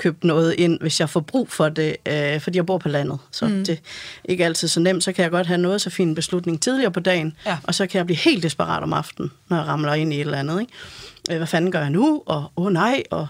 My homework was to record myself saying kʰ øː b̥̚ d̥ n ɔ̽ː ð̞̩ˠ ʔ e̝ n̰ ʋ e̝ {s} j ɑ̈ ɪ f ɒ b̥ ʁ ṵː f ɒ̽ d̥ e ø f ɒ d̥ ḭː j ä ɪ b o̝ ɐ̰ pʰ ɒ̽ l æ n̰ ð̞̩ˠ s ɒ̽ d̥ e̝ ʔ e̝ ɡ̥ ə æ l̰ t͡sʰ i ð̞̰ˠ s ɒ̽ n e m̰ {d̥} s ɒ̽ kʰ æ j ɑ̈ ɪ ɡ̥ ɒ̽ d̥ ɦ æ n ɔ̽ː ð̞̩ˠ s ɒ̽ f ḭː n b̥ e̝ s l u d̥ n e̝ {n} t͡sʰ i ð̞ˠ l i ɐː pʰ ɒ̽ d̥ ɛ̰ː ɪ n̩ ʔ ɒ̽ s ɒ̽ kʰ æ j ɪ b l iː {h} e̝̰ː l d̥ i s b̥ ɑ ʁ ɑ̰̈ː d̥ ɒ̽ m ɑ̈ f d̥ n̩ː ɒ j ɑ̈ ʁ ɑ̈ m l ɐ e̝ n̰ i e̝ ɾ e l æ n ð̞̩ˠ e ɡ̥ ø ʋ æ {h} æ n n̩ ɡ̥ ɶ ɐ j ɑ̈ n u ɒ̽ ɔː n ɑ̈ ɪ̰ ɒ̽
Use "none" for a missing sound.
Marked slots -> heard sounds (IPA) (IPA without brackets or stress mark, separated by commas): s, d̥, ŋ, h, f